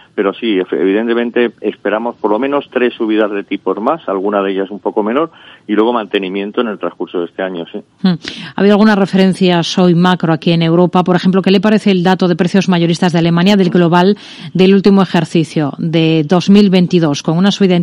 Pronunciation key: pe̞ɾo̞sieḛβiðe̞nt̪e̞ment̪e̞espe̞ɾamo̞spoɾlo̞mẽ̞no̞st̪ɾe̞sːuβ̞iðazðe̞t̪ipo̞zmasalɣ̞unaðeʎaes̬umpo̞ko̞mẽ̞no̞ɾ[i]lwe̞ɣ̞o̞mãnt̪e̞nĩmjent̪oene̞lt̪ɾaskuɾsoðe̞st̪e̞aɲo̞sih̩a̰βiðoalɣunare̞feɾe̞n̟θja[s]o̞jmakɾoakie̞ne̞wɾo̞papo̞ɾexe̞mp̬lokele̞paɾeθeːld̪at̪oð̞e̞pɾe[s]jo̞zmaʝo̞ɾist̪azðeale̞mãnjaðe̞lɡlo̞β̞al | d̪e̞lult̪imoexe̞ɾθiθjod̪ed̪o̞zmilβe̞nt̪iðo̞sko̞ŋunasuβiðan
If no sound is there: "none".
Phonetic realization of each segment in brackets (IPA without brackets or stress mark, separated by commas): i, s, θ